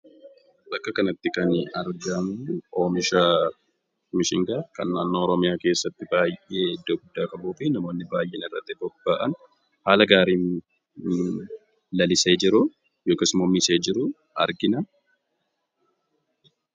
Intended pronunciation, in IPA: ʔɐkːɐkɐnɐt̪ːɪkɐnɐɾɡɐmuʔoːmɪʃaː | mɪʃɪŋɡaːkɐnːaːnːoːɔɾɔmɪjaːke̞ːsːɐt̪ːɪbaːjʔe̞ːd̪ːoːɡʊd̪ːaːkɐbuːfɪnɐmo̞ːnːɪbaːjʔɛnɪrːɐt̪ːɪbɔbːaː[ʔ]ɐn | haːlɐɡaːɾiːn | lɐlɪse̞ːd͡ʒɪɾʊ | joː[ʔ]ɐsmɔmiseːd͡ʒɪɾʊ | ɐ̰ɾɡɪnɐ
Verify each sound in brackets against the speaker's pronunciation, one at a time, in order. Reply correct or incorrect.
correct, incorrect

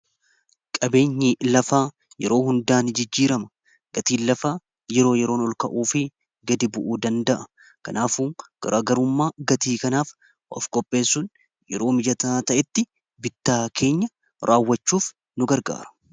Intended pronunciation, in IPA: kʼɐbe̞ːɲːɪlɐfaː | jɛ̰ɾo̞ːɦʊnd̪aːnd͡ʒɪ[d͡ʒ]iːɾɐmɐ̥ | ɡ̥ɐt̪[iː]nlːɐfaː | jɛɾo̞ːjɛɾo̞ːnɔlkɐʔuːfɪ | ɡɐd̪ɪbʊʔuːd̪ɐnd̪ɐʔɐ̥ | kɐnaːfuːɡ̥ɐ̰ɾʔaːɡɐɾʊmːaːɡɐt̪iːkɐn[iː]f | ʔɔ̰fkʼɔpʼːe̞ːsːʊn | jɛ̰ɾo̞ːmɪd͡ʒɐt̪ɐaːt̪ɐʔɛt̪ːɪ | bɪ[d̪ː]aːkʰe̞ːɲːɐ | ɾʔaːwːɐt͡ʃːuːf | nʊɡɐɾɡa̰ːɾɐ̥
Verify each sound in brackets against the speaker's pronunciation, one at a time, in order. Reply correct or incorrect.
incorrect, correct, incorrect, incorrect

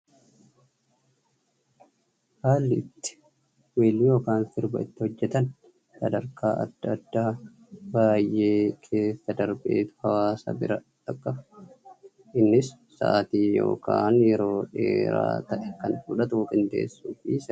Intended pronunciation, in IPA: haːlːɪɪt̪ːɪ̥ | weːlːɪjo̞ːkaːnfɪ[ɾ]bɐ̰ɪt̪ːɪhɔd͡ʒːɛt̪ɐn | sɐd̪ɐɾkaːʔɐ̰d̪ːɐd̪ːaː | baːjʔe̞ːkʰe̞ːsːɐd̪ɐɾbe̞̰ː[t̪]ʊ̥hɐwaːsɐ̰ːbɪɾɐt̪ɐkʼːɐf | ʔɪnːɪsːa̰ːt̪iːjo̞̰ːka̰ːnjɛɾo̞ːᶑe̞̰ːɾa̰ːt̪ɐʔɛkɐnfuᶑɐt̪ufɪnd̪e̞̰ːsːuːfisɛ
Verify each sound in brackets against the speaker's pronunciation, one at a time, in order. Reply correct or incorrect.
correct, correct

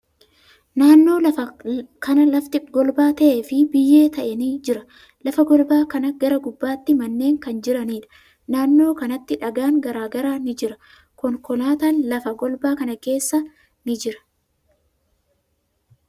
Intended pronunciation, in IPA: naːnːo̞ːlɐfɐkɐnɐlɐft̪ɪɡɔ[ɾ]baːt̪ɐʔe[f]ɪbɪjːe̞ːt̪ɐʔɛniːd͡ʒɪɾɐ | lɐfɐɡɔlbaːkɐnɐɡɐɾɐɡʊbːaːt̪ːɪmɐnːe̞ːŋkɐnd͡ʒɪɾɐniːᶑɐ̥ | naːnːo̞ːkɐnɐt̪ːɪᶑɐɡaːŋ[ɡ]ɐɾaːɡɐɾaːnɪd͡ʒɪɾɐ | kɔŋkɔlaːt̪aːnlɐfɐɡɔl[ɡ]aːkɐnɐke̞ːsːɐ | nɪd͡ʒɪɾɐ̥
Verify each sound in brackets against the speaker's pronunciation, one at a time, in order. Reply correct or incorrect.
incorrect, correct, correct, incorrect

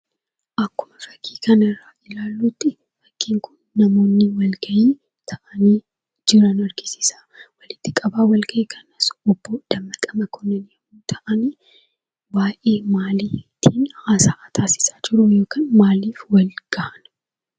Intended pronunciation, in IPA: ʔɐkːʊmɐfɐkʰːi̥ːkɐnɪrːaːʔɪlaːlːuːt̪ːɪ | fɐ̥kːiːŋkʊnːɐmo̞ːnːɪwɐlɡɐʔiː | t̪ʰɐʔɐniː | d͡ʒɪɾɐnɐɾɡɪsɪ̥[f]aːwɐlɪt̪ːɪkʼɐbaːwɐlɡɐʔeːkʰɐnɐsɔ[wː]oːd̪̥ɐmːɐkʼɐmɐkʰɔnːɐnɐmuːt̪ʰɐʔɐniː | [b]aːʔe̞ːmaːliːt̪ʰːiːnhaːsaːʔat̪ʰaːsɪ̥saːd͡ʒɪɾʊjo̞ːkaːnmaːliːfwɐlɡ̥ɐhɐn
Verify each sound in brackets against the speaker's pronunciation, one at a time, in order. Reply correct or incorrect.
incorrect, incorrect, correct

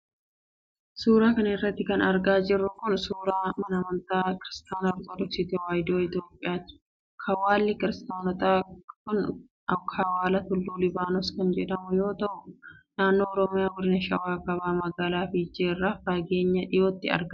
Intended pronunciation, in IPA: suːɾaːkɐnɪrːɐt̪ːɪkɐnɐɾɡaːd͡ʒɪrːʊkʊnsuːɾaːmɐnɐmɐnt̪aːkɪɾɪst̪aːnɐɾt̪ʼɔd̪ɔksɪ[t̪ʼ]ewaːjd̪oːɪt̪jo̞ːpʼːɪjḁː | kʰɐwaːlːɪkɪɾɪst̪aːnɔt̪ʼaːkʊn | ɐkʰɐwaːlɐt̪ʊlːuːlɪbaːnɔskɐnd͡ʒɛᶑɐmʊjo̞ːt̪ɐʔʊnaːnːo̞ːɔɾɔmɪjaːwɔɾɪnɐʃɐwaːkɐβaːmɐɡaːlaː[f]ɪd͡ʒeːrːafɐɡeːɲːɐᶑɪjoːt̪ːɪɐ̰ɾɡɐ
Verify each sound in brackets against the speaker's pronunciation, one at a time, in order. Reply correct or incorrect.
incorrect, correct

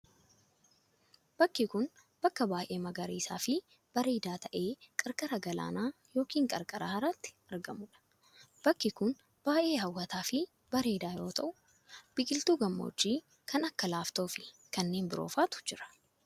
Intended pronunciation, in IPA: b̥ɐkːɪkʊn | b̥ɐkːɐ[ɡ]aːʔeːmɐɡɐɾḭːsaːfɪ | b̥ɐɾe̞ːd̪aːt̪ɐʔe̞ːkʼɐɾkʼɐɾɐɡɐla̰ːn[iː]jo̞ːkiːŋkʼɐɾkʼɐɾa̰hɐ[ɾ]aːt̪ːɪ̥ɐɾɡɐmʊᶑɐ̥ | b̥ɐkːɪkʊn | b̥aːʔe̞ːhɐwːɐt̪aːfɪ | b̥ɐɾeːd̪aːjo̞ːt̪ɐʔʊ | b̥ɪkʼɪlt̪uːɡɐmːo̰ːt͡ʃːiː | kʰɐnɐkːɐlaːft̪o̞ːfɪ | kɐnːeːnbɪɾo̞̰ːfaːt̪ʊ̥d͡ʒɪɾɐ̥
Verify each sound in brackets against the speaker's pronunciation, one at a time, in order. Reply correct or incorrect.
incorrect, incorrect, correct

